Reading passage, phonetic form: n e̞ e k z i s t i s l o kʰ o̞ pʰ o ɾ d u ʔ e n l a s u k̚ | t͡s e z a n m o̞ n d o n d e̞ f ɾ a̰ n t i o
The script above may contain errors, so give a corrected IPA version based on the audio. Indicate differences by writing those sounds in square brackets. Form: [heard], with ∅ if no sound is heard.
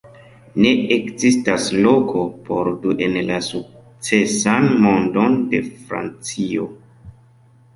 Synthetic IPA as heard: n e̞ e k z i s t [a] s l o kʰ o̞ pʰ o ɾ d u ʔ e n l a s u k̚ | t͡s e [s] a n m o̞ n d o n d e̞ f ɾ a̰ n [t͡s] i o